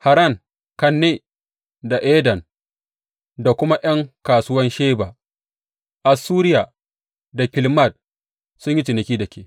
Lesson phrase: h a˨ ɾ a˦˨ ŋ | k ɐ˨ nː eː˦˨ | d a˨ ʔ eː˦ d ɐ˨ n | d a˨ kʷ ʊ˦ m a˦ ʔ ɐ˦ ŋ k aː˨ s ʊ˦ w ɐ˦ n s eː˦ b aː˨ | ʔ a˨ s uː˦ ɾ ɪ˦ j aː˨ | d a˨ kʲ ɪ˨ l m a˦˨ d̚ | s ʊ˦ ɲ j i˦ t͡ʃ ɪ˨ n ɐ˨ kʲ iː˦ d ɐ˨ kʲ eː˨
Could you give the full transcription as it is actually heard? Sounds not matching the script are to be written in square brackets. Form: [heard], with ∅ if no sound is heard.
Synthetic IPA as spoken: h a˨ ɾ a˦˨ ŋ | k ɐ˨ nː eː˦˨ | d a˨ ʔ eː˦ d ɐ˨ n | d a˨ kʷ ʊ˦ m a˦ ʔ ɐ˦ ŋ k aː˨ s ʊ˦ w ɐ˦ n [ʃ] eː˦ b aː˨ | ʔ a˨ s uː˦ ɾ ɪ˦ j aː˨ | d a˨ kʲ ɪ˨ l m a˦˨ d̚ | s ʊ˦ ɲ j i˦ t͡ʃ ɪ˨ n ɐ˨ kʲ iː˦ d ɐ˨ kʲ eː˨